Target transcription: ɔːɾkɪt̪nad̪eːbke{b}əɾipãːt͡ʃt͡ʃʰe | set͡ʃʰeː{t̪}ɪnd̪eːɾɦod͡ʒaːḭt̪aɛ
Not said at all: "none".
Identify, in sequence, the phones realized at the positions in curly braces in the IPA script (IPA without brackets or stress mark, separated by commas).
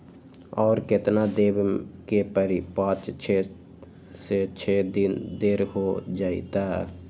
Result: p, d̪